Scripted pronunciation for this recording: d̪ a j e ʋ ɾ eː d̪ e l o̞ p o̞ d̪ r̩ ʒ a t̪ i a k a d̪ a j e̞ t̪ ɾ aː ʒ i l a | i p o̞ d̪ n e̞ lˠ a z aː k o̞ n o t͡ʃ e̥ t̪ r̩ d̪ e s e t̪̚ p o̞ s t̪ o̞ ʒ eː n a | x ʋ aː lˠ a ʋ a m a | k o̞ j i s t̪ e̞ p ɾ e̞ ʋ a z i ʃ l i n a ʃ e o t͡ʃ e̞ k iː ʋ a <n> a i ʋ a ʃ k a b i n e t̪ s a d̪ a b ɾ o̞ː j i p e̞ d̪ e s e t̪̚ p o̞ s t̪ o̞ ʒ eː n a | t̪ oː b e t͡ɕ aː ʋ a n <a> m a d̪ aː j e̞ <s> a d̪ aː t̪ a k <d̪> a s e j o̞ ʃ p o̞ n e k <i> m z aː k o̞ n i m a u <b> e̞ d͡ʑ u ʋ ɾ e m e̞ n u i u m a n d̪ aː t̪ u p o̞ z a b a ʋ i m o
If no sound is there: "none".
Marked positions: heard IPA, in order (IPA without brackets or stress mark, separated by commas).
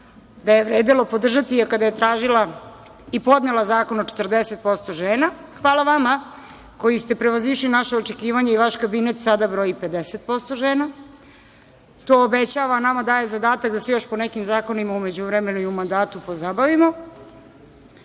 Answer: ɲ, a, z, d̪, i, m